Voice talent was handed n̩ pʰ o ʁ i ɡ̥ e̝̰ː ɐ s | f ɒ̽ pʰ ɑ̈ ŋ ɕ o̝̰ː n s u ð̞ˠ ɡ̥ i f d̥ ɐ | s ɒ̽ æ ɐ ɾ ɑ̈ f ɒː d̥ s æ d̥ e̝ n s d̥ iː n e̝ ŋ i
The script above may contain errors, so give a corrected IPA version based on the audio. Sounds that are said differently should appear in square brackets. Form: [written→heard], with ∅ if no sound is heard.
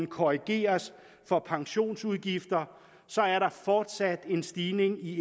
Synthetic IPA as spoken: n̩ [pʰ→kʰ] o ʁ i ɡ̥ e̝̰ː ɐ s | f ɒ̽ pʰ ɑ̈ ŋ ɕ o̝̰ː n s u ð̞ˠ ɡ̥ i f d̥ ɐ | s ɒ̽ æ ɐ ɾ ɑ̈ f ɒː d̥ s æ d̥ e̝ n s d̥ iː n e̝ ŋ i